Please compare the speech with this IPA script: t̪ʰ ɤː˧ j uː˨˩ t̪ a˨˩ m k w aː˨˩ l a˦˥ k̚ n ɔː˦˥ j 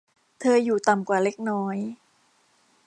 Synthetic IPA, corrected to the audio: t̪ʰ ɤː˧ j uː˨˩ t̪ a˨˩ m k w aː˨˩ l e˦˥ k̚ n ɔː˦˥ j